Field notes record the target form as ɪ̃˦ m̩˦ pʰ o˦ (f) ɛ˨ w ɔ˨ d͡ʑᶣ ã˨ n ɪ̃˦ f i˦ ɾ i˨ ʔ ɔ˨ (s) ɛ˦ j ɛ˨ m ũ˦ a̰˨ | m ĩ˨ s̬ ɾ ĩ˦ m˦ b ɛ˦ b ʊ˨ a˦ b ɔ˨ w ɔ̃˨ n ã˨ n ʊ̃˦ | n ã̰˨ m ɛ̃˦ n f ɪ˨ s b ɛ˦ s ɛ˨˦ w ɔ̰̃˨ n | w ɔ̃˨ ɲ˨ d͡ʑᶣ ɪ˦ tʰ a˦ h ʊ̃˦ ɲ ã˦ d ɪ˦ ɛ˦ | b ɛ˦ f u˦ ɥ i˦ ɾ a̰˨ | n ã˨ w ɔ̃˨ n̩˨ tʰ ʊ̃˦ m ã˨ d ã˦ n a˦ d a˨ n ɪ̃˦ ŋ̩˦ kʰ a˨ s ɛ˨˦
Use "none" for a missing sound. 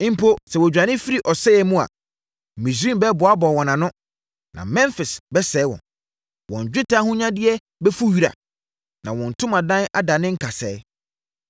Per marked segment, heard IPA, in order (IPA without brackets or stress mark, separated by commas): s, s